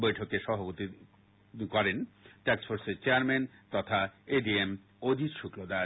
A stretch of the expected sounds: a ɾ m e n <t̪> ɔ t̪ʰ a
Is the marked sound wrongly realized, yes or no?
no